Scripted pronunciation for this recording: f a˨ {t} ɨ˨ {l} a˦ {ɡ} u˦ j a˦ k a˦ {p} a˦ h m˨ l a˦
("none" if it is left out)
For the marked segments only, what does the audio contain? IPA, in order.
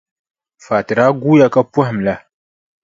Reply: t, ɾ, ɡ, p

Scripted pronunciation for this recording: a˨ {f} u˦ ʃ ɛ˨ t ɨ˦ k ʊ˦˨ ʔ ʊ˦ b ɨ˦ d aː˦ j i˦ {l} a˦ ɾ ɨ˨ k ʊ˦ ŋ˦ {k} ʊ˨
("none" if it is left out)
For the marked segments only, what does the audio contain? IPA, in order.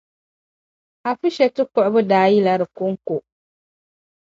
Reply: f, l, k

